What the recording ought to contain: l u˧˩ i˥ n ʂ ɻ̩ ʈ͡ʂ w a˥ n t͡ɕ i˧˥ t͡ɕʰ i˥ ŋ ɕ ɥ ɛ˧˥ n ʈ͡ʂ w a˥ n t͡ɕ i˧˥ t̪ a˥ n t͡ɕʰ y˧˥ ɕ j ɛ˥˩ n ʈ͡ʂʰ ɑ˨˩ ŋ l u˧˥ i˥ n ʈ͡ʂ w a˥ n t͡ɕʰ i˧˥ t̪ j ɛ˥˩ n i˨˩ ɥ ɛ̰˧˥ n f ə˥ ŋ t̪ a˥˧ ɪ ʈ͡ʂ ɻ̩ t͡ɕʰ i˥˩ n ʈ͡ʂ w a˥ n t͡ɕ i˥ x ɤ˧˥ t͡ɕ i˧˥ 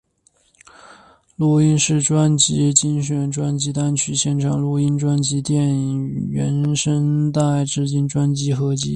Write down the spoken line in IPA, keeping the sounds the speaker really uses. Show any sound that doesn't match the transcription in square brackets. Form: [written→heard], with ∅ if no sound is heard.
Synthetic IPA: l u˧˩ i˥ n ʂ ɻ̩ ʈ͡ʂ w a˥ n t͡ɕ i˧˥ [t͡ɕʰ→t͡ɕ] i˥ ŋ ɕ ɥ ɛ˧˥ n ʈ͡ʂ w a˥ n t͡ɕ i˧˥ t̪ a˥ n t͡ɕʰ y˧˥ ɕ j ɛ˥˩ n ʈ͡ʂʰ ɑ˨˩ ŋ l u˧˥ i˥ n ʈ͡ʂ w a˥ n [t͡ɕʰ→t͡ɕ] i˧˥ t̪ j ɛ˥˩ n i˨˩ ɥ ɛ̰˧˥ n [f→ʂ] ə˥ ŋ t̪ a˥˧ ɪ ʈ͡ʂ ɻ̩ [t͡ɕʰ→t͡ɕ] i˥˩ n ʈ͡ʂ w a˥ n t͡ɕ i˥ x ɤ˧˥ t͡ɕ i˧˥